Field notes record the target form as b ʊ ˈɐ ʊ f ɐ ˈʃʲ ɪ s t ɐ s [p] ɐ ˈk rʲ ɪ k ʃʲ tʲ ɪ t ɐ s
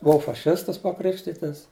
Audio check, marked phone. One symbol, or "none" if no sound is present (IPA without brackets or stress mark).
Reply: p